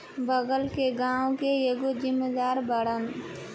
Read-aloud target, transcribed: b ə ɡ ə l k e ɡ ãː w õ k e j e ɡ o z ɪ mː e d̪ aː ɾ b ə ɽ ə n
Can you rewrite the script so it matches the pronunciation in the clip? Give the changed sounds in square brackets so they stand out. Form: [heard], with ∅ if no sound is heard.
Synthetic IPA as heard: b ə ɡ ə l k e ɡ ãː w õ k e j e ɡ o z ɪ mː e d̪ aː ɾ b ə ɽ ə n